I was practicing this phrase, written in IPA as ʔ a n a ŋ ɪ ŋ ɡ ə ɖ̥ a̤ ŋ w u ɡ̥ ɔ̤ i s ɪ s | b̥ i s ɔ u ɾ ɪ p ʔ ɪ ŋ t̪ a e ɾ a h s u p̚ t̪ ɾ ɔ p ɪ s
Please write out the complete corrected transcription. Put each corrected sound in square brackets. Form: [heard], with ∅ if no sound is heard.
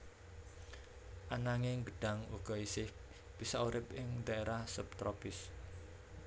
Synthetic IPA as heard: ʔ a n a ŋ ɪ ŋ ɡ ə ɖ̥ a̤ ŋ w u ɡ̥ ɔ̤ i s ɪ [h] | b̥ i s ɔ u ɾ ɪ p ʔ ɪ ŋ [d̪] a e ɾ a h s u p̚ t̪ ɾ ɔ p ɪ s